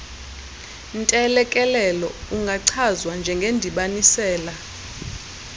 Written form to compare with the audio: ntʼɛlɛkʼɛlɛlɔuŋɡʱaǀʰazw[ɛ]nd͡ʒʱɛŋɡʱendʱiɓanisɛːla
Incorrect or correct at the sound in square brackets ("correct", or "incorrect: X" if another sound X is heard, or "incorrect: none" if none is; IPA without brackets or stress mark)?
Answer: incorrect: a